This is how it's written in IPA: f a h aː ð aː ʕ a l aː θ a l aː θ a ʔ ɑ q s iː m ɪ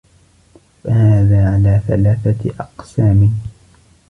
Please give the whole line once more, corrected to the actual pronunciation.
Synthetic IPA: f a h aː ð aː ʕ a l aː θ a l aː θ a ʔ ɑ q s aː m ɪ